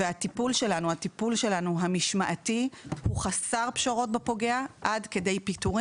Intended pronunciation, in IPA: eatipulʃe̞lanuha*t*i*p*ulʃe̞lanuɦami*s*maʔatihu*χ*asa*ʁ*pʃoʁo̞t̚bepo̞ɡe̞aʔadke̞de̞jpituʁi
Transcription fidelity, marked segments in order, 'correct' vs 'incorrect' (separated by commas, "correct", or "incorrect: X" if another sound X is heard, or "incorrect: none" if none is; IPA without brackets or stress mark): correct, correct, incorrect: ʃ, correct, correct